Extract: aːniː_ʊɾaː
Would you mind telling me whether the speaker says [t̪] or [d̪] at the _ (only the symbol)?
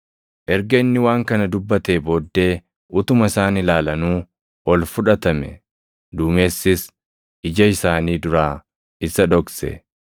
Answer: d̪